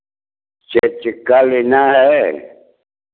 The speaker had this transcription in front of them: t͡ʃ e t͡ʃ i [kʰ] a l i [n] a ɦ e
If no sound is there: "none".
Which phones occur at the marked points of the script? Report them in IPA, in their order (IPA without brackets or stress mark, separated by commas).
k, n